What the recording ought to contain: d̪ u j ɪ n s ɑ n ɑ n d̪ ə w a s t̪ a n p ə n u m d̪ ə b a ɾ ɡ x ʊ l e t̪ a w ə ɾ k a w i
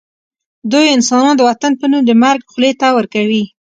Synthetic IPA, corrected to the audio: d̪ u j ɪ n s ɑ n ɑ n d̪ ə w a t̪ a n p ə n u m d̪ ə m a ɾ ɡ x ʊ l e t̪ a w ə ɾ k a w i